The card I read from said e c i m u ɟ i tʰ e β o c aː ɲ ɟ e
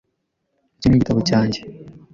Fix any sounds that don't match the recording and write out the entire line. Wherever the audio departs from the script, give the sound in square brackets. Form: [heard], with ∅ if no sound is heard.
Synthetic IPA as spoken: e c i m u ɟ i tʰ [a] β o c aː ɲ ɟ e